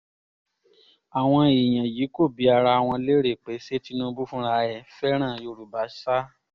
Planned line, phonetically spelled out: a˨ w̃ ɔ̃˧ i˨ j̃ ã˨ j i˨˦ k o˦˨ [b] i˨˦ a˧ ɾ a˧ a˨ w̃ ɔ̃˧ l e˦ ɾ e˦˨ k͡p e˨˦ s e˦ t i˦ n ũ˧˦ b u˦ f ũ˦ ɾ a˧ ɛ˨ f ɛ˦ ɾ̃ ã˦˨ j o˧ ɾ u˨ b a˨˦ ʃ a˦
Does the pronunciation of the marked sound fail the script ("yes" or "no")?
no